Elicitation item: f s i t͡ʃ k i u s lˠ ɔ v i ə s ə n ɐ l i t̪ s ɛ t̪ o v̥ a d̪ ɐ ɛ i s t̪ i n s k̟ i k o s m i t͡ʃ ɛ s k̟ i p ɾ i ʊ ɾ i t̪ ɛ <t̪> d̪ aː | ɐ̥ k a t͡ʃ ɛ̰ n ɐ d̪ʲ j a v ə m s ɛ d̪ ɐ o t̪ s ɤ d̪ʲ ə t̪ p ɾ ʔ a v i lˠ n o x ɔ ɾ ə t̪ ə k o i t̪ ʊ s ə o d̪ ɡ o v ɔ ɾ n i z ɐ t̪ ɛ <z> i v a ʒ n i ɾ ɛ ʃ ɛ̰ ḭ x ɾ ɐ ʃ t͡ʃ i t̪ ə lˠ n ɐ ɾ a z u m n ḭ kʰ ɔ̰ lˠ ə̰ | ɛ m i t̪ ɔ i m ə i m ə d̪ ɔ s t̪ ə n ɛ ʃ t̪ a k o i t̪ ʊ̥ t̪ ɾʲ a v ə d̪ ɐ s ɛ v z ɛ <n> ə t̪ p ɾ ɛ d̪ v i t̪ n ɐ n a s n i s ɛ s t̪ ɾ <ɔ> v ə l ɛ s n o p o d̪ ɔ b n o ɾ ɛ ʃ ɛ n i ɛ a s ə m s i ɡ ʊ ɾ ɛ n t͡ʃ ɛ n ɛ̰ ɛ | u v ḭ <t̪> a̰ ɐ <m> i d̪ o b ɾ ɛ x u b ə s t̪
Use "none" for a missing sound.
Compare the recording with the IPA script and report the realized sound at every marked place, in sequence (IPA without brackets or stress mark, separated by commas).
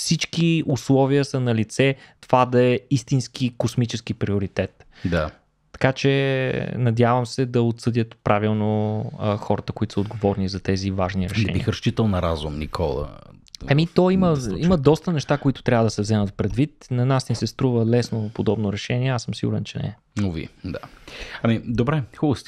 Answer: t̪, z, m, u, d̪, m